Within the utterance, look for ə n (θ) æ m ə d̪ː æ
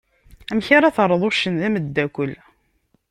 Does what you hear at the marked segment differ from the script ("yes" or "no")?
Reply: yes